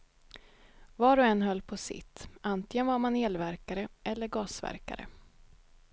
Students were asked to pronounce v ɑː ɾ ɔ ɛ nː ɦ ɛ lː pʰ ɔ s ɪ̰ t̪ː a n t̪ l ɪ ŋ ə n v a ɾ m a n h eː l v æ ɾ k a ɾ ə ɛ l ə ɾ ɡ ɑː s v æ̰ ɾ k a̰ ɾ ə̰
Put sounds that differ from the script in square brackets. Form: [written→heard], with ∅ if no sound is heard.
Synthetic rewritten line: v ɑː ɾ ɔ ɛ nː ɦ [ɛ→œ] lː pʰ ɔ s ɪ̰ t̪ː a n t̪ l ɪ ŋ ə n v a ɾ m a n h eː l v æ ɾ k a ɾ ə ɛ [l→lː] ə ɾ ɡ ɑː s v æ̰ ɾ k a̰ ɾ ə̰